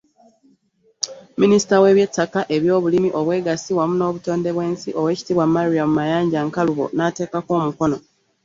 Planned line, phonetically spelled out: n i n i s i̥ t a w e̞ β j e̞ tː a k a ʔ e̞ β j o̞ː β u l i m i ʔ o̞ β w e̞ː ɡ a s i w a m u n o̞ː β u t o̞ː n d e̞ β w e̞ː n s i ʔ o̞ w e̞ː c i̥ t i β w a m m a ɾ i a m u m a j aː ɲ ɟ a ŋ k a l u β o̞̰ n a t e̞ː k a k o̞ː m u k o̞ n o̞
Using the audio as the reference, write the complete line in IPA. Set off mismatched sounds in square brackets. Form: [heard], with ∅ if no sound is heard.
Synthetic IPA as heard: [m] i n i s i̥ t a w e̞ β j e̞ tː a k a ʔ e̞ β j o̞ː β u l i m i ʔ o̞ β w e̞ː ɡ a s i w a m u n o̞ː β u t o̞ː n d e̞ β w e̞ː n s i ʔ o̞ w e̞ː c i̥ t i β w a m m a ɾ i a m u m a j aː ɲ ɟ a ŋ k a l u β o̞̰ n a t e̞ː k a k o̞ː m u k o̞ n o̞